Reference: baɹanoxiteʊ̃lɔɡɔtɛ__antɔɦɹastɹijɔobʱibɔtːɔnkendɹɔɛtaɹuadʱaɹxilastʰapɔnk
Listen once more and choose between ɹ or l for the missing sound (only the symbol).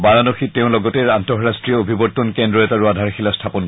ɹ